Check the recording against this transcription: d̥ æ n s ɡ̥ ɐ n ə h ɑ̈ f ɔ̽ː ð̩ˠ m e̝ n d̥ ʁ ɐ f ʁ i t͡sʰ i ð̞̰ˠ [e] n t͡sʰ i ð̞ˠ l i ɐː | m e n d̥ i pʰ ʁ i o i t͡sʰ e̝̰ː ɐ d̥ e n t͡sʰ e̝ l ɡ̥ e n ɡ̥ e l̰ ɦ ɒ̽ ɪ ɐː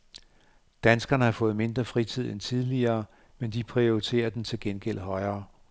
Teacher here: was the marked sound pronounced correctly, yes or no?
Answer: yes